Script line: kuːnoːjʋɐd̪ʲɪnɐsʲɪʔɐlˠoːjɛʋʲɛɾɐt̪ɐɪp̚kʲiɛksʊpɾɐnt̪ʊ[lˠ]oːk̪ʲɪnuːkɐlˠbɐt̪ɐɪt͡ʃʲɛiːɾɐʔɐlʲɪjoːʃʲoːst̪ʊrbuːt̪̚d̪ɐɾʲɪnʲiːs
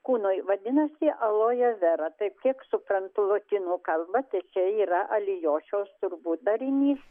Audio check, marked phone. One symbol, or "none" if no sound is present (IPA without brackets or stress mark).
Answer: lˠ